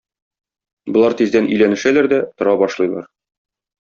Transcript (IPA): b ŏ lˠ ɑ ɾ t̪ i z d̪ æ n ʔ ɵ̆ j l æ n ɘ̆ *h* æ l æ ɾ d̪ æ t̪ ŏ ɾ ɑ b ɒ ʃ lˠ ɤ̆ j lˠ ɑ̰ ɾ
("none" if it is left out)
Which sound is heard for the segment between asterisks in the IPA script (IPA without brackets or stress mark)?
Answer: ʃ